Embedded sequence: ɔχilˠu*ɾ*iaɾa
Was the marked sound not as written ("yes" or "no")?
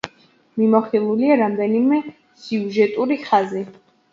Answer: yes